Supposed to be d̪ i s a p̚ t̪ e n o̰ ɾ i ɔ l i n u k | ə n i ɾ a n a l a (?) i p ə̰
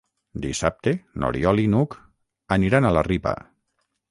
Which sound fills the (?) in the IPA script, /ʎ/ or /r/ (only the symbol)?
r